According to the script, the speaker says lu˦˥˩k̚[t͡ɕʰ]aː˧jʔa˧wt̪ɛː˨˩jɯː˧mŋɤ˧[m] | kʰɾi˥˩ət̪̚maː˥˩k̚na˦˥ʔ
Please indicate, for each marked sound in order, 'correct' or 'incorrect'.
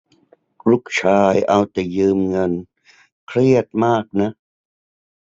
correct, incorrect: n

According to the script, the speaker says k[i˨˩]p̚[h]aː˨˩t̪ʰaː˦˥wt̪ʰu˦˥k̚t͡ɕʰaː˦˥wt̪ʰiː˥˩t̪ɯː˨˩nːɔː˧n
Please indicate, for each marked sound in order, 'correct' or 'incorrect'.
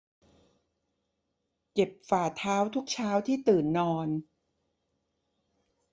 incorrect: e˨˩, incorrect: f

